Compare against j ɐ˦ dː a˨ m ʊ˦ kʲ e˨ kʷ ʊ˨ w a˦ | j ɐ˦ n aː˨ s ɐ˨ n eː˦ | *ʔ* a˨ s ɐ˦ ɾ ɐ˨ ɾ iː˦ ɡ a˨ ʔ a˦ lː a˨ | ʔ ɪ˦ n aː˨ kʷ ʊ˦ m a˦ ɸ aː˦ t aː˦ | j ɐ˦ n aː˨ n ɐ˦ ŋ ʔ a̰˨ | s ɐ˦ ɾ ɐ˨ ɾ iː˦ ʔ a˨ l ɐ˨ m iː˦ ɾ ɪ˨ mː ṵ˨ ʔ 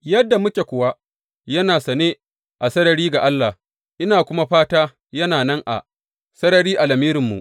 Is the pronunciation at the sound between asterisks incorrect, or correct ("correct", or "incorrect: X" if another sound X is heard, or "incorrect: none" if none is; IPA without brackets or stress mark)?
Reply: correct